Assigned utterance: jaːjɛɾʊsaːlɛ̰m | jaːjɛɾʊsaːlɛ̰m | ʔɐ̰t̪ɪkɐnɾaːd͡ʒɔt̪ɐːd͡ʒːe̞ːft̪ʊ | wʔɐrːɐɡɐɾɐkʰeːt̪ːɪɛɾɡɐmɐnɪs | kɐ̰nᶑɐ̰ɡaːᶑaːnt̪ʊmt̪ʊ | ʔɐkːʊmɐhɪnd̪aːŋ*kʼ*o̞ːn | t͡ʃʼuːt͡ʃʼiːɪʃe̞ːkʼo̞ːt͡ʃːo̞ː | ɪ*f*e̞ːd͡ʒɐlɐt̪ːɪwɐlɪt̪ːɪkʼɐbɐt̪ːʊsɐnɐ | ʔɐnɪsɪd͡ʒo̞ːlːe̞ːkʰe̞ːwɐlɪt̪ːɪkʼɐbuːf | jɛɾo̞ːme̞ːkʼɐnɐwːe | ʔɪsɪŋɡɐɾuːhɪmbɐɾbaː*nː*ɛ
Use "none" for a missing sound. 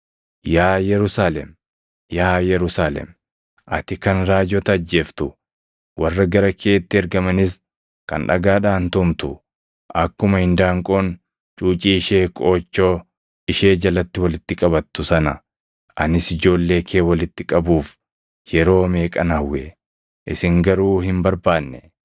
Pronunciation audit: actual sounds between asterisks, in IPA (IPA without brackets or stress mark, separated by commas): kʼ, ʃ, nː